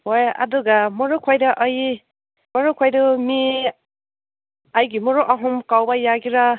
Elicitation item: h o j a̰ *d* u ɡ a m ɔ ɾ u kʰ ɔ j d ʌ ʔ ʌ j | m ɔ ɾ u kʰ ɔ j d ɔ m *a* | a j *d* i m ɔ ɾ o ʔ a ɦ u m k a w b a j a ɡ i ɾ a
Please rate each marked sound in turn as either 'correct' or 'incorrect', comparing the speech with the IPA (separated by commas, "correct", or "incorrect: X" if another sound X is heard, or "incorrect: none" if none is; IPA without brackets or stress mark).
correct, incorrect: i, incorrect: ɡ